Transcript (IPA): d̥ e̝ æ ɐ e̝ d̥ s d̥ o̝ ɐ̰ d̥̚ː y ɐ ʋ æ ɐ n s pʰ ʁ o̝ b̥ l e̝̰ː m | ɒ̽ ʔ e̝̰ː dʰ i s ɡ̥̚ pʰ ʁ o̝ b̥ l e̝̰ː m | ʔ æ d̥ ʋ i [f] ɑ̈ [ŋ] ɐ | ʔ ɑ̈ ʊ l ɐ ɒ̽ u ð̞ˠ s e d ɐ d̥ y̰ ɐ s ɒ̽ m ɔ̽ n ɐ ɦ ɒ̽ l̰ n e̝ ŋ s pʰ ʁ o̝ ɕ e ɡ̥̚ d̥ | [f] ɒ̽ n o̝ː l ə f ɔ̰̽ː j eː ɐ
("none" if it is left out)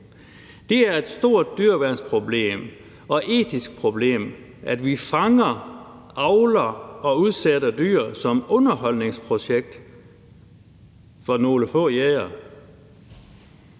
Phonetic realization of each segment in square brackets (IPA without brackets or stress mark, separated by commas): f, ŋ, f